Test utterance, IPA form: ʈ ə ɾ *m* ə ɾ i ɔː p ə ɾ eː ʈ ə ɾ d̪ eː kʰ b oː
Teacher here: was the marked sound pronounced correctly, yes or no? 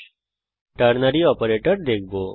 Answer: no